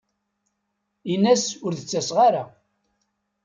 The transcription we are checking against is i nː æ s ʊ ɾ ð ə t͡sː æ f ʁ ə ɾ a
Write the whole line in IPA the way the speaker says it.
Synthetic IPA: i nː æ s ʊ ɾ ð ə t͡sː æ s ʁ a ɾ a